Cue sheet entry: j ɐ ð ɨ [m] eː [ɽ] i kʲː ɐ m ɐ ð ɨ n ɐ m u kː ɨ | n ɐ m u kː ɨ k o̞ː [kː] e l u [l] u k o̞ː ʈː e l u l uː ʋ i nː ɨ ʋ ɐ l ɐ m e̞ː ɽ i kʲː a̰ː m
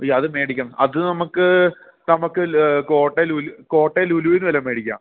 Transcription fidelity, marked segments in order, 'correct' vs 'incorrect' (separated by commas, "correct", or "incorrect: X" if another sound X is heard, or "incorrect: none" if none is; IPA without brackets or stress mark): correct, correct, incorrect: ʈː, correct